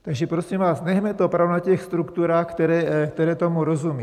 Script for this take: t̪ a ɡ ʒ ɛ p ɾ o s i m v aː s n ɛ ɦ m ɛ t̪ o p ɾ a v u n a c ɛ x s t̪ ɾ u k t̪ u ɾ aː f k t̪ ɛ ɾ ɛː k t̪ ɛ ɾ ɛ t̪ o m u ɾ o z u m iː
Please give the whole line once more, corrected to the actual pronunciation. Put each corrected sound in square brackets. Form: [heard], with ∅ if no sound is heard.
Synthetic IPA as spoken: t̪ a ɡ ʒ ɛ p ɾ o s i m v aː s n ɛ ɦ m ɛ t̪ o p ɾ a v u n a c ɛ x s t̪ ɾ u k t̪ u ɾ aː [x] k t̪ ɛ ɾ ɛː k t̪ ɛ ɾ [ɛː] t̪ o m u ɾ o z u m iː